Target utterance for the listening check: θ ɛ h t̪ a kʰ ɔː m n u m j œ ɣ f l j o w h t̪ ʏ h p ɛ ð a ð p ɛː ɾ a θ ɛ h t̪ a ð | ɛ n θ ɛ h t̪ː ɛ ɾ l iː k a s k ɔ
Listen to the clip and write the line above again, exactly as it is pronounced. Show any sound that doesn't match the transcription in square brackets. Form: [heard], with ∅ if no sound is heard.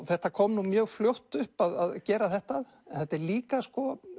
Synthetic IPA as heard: θ ɛ h t̪ a kʰ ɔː m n u m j [œː] ɣ f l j o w h t̪ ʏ h p [a] ð a ð [c] ɛː ɾ a θ ɛ h t̪ a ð | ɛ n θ ɛ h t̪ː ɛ ɾ l iː k a s k ɔ